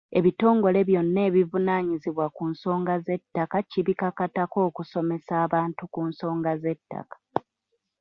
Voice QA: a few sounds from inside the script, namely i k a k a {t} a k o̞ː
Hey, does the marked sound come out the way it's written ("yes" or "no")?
yes